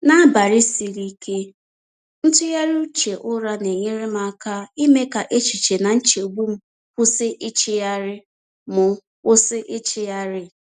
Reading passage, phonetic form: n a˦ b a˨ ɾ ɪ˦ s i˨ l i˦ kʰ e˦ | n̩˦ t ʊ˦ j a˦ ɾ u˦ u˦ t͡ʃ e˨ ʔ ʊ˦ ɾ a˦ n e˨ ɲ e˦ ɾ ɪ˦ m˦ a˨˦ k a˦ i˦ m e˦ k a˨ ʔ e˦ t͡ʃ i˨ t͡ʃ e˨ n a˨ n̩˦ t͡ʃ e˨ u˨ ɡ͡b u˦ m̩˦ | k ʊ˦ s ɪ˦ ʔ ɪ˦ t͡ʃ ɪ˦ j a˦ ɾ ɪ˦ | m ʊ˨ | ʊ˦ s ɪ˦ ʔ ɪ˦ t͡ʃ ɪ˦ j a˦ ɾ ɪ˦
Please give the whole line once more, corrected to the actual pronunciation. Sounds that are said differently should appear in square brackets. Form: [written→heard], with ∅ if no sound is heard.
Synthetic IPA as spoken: n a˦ b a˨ ɾ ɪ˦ s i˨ [l→ɾ] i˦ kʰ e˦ | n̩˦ t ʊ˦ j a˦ ɾ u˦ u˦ t͡ʃ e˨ ʔ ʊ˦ ɾ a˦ n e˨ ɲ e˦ ɾ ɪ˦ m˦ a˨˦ k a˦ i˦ m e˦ k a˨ ʔ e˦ t͡ʃ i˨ t͡ʃ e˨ n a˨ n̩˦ t͡ʃ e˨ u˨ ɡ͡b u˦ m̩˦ | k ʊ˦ s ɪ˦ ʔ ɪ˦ t͡ʃ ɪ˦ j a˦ ɾ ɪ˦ | m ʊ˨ | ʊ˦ s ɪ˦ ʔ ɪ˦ t͡ʃ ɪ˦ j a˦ ɾ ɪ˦

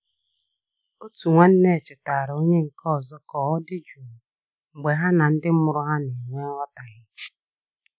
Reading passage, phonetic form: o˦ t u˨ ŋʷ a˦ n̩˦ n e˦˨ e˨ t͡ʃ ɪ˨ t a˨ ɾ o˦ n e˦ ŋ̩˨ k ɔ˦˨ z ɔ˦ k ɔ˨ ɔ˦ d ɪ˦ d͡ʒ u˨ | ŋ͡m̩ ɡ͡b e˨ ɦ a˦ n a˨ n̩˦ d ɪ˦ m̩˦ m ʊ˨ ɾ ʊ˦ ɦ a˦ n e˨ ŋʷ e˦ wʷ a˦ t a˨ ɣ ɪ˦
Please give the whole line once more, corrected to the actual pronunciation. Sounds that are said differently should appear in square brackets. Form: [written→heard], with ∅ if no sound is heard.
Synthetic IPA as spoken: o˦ t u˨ ŋʷ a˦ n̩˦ n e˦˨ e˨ t͡ʃ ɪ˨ t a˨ ɾ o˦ [n→ɲ] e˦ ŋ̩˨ k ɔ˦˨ z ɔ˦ k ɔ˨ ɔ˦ d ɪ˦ d͡ʒ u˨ | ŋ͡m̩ ɡ͡b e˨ ɦ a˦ n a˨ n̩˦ d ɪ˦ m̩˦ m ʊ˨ ɾ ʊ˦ ɦ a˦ n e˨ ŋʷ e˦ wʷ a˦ t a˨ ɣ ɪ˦

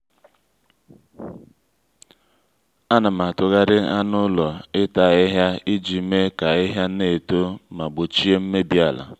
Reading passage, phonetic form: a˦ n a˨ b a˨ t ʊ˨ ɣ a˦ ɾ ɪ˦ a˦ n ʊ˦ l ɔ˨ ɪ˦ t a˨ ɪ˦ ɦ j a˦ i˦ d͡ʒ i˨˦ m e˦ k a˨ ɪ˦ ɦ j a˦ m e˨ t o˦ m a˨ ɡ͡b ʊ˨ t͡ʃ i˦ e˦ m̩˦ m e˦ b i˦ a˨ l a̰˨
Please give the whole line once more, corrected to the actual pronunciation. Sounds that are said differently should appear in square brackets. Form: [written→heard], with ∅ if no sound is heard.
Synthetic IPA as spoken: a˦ n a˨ [b→m] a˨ t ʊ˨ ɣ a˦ ɾ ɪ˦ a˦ n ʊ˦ l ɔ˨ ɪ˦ t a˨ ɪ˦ ɦ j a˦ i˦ d͡ʒ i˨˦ m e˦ k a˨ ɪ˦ ɦ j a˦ [m→n] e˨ t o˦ m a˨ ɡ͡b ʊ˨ t͡ʃ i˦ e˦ m̩˦ m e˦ b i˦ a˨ l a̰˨

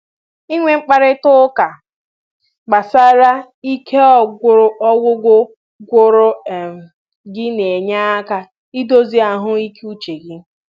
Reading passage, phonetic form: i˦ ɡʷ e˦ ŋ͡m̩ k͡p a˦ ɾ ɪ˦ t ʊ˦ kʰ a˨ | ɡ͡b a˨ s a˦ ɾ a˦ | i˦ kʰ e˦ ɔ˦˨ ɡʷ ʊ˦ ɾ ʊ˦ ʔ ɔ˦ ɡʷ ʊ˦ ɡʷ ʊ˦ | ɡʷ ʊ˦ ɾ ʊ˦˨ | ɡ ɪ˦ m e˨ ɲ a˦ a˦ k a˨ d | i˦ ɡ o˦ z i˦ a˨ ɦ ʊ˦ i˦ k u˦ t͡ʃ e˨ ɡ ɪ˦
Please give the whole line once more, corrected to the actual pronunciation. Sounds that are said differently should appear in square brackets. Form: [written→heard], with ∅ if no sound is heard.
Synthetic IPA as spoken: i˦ [ɡʷ→ŋʷ] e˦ ŋ͡m̩ k͡p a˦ ɾ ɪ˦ t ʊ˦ [kʰ→k] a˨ | ɡ͡b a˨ s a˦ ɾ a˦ | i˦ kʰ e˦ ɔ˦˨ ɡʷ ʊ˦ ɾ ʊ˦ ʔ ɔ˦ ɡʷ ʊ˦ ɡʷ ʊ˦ | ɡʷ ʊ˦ ɾ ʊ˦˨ | ɡ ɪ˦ [m→n] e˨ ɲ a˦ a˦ k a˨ [d→∅] | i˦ [ɡ→d] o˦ z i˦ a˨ ɦ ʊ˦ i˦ k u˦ t͡ʃ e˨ ɡ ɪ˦

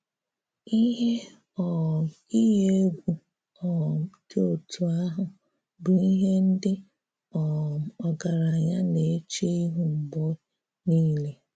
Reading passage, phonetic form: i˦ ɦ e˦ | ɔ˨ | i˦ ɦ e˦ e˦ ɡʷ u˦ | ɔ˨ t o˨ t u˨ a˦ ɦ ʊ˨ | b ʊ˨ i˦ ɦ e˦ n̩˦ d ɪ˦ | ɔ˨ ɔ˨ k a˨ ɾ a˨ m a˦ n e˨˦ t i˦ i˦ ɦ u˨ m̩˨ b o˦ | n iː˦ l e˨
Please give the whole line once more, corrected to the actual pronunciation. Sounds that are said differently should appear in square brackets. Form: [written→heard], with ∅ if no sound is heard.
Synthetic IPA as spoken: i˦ ɦ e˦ | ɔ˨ | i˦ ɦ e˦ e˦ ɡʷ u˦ | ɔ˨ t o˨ t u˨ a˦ ɦ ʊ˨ | b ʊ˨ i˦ ɦ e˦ n̩˦ d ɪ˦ | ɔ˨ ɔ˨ [k→ɡ] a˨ ɾ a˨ [m→ɲ] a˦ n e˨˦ [t→t͡ʃ] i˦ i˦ ɦ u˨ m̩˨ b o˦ | n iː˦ l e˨

